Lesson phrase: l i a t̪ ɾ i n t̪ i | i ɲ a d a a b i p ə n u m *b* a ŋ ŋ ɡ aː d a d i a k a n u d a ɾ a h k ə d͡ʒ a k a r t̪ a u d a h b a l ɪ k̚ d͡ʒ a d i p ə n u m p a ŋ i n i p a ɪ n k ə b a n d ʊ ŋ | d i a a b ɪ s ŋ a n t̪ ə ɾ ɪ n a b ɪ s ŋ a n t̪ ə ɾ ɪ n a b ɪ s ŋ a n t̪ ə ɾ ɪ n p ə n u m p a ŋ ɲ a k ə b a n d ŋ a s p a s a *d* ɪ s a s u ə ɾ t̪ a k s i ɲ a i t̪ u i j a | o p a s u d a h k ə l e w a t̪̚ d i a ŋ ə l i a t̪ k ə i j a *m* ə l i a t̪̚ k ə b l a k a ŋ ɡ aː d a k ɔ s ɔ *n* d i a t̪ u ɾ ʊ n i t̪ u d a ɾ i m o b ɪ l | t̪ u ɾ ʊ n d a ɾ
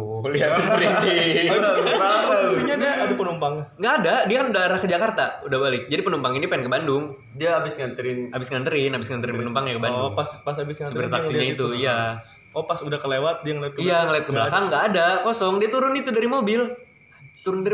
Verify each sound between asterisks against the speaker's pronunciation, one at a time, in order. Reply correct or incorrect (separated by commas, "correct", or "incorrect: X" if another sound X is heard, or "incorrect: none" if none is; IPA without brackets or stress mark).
incorrect: p, incorrect: b, incorrect: ŋ, incorrect: ŋ